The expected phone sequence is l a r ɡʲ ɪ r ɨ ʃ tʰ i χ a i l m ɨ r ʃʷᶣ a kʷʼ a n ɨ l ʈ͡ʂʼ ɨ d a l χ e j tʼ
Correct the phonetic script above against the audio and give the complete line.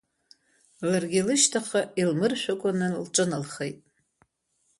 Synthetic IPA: l a r ɡʲ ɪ l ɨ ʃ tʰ a χ a i l m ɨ r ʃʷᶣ a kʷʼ a n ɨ l ʈ͡ʂʼ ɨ n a l χ e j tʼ